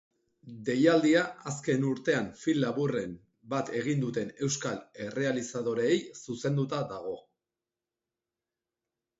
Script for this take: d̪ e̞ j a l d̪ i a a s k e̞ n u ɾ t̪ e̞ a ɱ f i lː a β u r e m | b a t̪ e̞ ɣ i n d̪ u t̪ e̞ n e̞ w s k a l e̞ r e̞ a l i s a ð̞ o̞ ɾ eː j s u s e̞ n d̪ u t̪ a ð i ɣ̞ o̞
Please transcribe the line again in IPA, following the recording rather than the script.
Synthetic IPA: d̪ e̞ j a l d̪ i a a s k e̞ n u ɾ t̪ e̞ a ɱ f i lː a β u r e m | b a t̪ e̞ ɣ i n d̪ u t̪ e̞ n e̞ w s k a l e̞ r e̞ a l i s a ð̞ o̞ ɾ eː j s u s e̞ n d̪ u t̪ a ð a ɣ̞ o̞